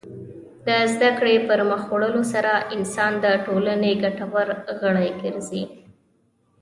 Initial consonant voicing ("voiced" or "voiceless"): voiced